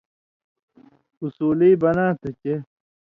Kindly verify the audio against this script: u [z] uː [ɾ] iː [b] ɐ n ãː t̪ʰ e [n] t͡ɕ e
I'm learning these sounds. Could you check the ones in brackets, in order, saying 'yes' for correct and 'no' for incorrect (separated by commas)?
no, no, yes, no